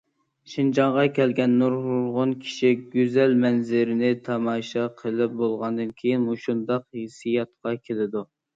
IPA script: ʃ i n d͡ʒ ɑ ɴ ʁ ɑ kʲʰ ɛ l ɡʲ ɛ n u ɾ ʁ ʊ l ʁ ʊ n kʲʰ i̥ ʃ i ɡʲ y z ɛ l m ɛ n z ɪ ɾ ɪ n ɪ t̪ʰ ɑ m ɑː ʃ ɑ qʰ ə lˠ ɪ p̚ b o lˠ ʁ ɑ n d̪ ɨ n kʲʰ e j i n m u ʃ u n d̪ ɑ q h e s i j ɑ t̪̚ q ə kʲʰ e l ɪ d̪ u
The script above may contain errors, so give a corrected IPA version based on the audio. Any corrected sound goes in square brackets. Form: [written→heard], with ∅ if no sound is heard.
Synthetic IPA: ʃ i n d͡ʒ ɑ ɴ ʁ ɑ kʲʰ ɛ l ɡʲ ɛ [n→nː] u ɾ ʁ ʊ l ʁ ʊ n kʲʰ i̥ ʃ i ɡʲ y z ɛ l m ɛ n z ɪ ɾ ɪ n ɪ t̪ʰ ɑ m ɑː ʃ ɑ qʰ ə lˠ ɪ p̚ b o lˠ ʁ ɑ n d̪ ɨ n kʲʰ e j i n m u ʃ u n d̪ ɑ q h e s i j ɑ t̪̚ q [ə→ɑ] kʲʰ e l ɪ d̪ u